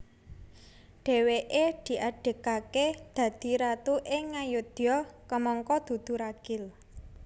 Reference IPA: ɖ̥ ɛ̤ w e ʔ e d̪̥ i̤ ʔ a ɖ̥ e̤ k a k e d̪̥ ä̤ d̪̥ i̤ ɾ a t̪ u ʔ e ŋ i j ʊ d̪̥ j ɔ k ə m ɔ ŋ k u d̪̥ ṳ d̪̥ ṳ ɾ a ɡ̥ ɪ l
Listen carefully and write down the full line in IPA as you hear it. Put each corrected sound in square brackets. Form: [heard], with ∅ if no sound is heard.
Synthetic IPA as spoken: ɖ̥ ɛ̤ w e ʔ e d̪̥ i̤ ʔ a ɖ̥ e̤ k a k e d̪̥ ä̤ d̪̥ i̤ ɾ a t̪ u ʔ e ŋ [a] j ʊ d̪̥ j ɔ k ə m ɔ ŋ k [ɔ] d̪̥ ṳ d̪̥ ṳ ɾ a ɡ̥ ɪ l